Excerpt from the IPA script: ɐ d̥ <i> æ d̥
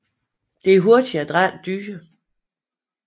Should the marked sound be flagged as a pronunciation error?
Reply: no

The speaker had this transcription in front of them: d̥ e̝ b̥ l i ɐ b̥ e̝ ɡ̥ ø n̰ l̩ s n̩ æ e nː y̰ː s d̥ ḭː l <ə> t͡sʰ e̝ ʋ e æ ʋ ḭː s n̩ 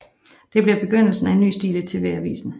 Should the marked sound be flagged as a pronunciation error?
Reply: no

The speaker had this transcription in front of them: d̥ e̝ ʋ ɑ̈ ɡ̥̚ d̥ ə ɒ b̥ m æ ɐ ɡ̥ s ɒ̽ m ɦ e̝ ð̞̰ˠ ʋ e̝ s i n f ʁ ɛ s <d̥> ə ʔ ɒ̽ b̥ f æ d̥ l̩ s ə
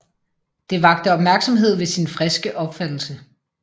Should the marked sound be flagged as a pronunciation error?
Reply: yes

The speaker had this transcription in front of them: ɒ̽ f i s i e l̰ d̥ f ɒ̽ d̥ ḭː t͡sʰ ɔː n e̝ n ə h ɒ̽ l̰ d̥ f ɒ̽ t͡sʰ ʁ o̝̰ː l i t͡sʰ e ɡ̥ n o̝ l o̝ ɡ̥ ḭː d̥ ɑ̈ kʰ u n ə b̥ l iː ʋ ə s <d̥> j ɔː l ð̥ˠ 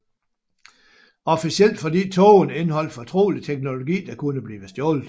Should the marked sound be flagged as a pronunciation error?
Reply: no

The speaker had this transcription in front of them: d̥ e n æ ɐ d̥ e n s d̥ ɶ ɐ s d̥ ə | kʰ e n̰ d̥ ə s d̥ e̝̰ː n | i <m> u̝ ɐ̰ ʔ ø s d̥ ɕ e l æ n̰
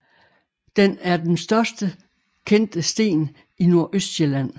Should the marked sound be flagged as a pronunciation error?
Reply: yes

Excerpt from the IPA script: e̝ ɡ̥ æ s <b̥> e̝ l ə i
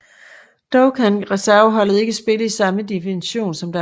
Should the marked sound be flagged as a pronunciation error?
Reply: no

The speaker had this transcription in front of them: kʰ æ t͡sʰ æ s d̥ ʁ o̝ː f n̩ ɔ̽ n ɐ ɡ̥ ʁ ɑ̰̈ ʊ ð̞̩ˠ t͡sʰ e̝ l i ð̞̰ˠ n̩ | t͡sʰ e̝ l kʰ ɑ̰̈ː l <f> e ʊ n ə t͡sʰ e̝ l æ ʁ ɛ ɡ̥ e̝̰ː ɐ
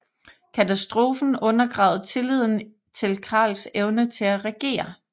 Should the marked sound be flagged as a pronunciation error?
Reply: yes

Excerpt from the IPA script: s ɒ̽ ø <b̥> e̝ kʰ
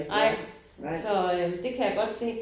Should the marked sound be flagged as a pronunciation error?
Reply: yes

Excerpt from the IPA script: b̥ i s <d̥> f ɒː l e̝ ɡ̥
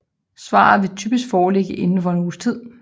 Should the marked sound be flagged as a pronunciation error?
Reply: yes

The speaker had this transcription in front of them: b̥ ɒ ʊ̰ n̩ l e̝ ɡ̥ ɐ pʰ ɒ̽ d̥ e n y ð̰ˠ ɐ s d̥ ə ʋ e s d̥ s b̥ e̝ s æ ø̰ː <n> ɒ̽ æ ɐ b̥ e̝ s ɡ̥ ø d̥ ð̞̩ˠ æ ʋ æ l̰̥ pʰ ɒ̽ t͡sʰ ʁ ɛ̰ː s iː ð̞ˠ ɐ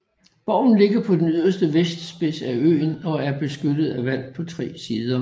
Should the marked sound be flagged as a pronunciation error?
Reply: no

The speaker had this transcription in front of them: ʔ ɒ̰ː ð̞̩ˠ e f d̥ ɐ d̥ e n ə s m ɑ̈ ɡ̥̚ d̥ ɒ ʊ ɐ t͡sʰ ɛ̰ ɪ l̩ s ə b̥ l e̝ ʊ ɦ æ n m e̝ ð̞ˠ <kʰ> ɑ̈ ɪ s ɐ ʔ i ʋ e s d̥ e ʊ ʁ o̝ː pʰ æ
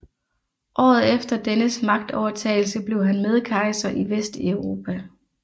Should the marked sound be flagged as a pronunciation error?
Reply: no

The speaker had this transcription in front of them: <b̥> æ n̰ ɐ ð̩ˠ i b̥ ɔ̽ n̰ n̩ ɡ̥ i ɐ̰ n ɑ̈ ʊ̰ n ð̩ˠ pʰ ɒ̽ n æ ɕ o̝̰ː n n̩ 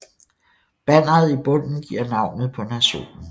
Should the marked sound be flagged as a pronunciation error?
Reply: no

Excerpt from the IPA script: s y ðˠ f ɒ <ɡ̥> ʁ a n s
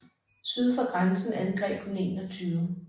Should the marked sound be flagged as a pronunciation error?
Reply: no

